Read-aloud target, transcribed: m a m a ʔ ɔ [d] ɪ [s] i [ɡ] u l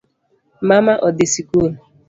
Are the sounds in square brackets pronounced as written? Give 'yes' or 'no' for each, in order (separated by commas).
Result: yes, yes, no